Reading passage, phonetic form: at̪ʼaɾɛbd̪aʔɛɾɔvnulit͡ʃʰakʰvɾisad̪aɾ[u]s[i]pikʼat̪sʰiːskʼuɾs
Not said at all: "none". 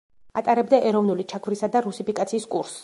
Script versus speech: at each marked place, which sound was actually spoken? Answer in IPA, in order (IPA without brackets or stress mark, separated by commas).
u, i